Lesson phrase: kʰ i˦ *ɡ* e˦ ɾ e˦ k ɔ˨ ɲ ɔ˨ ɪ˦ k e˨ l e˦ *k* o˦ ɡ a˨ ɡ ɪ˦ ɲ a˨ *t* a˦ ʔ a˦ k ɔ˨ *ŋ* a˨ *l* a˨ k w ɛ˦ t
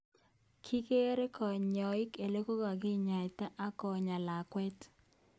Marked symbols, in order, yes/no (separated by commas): no, yes, yes, no, yes